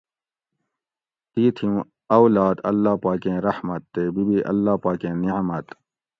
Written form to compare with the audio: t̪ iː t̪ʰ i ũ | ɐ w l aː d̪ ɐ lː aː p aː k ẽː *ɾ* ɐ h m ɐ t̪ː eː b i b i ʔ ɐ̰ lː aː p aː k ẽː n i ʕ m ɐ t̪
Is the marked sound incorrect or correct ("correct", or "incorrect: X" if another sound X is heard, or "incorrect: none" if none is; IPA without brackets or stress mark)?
correct